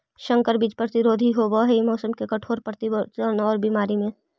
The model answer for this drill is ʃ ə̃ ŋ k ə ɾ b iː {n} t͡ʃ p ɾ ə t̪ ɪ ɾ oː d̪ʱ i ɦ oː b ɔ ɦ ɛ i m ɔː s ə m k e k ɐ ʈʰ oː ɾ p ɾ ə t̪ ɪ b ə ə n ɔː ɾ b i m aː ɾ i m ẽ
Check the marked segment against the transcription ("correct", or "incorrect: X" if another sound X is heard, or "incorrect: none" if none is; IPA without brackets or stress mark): incorrect: none